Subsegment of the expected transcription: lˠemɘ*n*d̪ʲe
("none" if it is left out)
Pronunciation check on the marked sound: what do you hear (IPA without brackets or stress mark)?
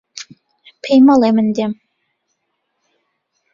n